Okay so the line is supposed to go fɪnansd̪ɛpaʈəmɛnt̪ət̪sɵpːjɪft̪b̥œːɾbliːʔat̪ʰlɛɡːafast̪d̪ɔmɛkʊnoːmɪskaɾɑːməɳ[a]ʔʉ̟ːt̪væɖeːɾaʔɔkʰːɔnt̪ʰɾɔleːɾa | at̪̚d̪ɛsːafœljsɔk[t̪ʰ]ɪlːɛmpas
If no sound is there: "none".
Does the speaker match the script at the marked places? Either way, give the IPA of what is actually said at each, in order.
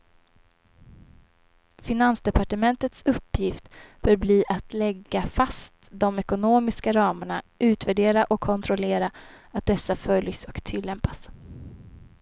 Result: a, t̪ʰ

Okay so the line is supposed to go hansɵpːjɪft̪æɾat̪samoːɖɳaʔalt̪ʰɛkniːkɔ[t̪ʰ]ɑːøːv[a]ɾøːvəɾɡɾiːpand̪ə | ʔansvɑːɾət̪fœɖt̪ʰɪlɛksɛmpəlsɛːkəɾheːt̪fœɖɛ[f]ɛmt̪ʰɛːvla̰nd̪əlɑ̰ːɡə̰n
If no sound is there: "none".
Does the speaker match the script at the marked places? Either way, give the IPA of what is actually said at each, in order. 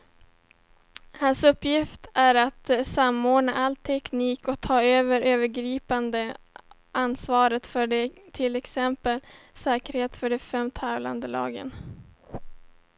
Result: t̪ʰ, ə, f

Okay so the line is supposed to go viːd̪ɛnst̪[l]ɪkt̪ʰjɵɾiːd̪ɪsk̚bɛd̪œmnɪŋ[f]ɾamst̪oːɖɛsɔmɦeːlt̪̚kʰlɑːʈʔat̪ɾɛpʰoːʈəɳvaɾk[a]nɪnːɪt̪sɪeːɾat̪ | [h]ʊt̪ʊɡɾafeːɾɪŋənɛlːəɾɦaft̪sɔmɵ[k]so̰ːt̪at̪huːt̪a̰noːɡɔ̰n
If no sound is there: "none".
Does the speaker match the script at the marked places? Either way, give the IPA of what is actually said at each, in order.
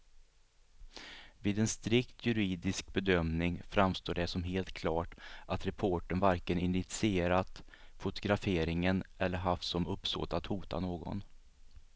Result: ɾ, f, ə, f, p

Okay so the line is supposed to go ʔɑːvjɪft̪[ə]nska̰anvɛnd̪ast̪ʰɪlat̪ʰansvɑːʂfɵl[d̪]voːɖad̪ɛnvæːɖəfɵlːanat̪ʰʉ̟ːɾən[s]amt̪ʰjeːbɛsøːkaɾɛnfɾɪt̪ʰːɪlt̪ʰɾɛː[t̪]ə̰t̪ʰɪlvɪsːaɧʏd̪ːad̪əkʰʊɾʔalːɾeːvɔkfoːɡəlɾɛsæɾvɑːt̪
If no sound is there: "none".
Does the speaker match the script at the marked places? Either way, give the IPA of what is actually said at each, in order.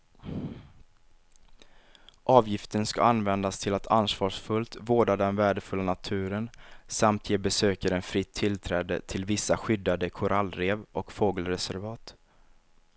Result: ə, t̪, s, d̪

